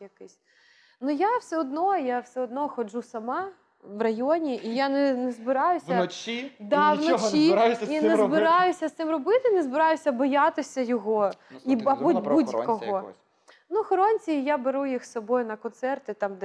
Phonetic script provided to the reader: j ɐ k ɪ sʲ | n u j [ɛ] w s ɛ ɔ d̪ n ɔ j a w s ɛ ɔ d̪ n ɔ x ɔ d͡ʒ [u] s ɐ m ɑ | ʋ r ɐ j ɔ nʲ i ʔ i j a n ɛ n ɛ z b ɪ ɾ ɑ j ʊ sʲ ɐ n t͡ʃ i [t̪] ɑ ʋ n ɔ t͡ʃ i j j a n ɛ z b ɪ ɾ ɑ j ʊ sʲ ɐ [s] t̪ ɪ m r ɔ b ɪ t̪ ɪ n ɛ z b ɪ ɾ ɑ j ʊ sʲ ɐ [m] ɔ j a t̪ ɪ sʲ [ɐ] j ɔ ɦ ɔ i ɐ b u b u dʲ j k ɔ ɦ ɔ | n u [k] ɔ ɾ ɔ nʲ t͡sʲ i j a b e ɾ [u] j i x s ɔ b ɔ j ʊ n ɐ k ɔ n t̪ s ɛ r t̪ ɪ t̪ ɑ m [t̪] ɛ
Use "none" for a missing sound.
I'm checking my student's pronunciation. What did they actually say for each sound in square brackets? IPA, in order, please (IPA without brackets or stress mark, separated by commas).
a, u, d̪, s, b, ɐ, x, u, d̪